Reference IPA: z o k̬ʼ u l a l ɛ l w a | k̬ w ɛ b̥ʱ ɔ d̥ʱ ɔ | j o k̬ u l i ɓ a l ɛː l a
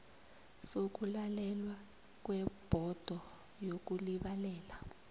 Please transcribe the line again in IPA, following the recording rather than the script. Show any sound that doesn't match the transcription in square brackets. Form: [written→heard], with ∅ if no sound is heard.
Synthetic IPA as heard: [z→s] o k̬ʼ u l a l ɛ l w a | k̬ w ɛ b̥ʱ ɔ d̥ʱ ɔ | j o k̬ u l i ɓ a l ɛː l a